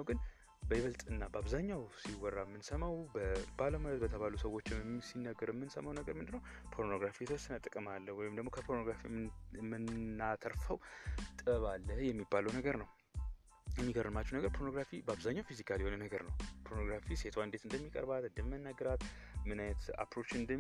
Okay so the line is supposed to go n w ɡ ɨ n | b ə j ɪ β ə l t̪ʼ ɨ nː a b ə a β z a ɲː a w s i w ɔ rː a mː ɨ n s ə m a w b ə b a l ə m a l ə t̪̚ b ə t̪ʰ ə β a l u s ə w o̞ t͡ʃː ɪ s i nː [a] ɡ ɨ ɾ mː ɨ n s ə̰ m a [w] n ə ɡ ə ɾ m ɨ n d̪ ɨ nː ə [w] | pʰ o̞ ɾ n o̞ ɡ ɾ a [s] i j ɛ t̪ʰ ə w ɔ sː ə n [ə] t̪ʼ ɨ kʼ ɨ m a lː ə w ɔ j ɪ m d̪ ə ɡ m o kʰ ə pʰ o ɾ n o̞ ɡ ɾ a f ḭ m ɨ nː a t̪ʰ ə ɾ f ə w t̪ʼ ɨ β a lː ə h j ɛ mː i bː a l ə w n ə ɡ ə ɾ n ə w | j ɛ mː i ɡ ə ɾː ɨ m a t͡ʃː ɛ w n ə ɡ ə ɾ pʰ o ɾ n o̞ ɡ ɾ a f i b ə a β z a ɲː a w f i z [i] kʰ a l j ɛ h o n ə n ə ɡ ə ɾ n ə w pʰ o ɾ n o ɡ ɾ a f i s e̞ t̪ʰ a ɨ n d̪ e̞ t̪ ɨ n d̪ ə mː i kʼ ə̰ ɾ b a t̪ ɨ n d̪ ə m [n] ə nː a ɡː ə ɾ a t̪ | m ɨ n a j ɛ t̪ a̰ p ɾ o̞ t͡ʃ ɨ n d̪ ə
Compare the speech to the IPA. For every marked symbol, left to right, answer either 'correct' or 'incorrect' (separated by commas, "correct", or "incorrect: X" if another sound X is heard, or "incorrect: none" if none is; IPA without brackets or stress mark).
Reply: incorrect: ə, correct, correct, incorrect: f, correct, correct, incorrect: m